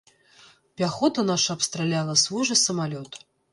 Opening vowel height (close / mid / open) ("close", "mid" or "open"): open